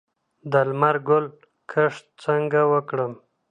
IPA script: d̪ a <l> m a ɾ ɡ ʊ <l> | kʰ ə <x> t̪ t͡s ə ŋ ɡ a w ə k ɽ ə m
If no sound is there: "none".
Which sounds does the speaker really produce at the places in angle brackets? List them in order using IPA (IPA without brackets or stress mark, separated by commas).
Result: l, l, ʂ